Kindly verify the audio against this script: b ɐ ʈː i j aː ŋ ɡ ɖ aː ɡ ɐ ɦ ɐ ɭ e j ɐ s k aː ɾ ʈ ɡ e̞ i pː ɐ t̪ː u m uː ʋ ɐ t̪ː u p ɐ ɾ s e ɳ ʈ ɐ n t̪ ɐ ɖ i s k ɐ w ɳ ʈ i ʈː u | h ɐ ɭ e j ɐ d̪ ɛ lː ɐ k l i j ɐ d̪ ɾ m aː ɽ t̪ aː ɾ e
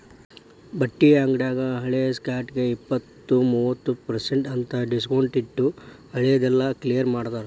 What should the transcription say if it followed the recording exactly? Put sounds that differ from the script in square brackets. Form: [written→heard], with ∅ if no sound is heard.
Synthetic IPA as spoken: b ɐ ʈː i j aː ŋ ɡ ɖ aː ɡ ɐ ɦ ɐ ɭ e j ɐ s k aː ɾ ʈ ɡ e̞ i pː ɐ t̪ː u m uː ʋ ɐ t̪ː u p ɐ ɾ s e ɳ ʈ ɐ n t̪ ɐ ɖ i s k ɐ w ɳ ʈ i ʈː u | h ɐ ɭ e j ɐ d̪ ɛ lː ɐ k l i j ɐ [d̪→∅] ɾ m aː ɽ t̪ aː ɾ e